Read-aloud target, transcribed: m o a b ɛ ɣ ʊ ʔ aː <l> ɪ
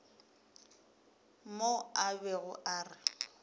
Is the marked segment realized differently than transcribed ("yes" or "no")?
yes